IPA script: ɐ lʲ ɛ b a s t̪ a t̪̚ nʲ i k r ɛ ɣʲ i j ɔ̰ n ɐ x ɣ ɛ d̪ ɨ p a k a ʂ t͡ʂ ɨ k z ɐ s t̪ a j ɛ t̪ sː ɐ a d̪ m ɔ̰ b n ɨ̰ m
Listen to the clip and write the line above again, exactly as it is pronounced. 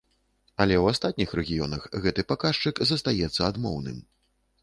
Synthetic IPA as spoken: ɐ lʲ ɛ w a s t̪ a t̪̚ nʲ i x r ɛ ɣʲ i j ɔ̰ n ɐ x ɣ ɛ t̪ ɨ p a k a ʂ t͡ʂ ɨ k z ɐ s t̪ a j ɛ t̪ sː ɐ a d̪ m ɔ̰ w n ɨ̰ m